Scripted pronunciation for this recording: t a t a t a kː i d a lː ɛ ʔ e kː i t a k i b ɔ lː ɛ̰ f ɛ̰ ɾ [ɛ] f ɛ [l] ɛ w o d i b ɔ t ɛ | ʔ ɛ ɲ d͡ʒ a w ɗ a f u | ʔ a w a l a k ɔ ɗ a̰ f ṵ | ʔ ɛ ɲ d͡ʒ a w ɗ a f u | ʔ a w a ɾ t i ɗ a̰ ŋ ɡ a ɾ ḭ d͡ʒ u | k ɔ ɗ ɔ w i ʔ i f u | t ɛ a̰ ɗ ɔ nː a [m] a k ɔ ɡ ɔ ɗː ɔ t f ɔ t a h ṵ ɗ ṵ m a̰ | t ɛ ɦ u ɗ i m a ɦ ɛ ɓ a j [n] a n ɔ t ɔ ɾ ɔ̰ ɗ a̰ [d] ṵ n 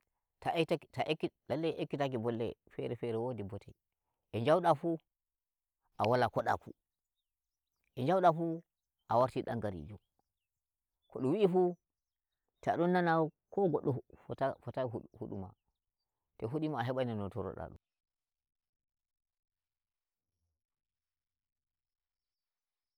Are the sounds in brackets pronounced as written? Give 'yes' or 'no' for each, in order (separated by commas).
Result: yes, no, no, yes, no